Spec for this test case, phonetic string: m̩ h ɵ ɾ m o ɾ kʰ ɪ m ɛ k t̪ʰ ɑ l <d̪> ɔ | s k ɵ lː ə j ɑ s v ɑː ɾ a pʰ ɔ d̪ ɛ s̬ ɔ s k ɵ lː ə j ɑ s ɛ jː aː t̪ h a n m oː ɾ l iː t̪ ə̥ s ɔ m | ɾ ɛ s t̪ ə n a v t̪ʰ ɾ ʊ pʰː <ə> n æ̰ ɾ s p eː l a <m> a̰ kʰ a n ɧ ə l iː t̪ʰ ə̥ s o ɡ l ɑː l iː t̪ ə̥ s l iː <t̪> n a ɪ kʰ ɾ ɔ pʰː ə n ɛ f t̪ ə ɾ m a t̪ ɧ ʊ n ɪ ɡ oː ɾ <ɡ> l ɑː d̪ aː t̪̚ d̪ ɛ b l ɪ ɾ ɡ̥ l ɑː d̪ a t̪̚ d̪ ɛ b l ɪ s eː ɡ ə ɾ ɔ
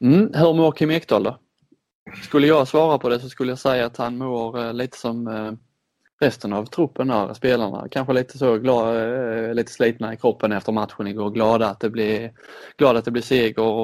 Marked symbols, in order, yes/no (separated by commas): yes, yes, no, yes, yes